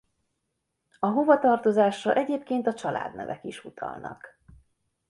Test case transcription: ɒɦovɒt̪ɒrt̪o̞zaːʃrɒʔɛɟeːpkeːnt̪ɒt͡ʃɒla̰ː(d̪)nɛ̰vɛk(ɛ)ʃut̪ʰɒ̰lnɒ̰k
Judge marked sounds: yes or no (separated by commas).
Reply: yes, no